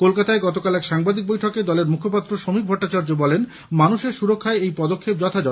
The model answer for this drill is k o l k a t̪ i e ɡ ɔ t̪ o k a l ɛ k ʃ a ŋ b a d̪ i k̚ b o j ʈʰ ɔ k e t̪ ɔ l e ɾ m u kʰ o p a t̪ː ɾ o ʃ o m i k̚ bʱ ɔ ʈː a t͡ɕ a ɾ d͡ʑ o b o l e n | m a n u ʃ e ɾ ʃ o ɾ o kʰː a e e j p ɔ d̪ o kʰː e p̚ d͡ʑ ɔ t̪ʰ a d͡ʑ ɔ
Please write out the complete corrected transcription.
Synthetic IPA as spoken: k o l k a t̪ a e ɡ ɔ t̪ o k a l ɛ k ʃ a ŋ b a d̪ i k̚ b o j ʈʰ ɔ k e d̪ ɔ l e ɾ m u kʰ o p a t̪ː ɾ o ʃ o m i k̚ bʱ ɔ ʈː a t͡ɕ a ɾ d͡ʑ o b ɔ l e n | m a n u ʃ e ɾ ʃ u ɾ o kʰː a e e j p ɔ d̪ o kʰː e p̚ d͡ʑ ɔ t̪ʰ a d͡ʑ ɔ